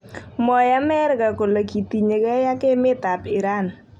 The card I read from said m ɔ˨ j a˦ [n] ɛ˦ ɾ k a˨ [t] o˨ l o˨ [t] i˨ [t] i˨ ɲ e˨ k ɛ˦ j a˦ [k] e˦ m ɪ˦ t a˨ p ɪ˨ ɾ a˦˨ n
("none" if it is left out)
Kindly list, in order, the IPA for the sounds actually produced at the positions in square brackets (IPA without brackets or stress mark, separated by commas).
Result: m, k, k, t, k